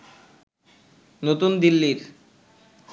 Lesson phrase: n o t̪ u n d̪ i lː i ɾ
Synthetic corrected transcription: n o t̪ u n d̪ i lː i ɾ